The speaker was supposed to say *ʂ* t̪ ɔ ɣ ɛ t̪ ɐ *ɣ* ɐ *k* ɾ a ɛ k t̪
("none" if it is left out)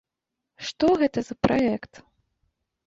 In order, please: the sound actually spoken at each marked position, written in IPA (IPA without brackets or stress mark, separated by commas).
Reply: ʂ, z, p